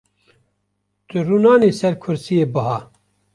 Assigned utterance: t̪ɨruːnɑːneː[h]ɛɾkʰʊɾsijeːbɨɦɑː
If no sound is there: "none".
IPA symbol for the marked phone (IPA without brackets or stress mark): s